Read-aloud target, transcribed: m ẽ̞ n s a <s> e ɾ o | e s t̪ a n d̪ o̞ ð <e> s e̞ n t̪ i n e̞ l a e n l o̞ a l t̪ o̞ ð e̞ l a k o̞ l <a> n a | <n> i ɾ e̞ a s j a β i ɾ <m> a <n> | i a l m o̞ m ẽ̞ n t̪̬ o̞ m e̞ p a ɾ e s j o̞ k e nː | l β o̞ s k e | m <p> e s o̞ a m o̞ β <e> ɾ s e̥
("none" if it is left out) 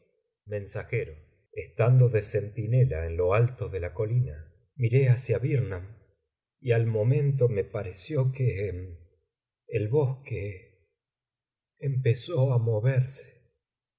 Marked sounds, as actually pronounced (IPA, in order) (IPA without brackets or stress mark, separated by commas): x, e, i, m, n, m, p, e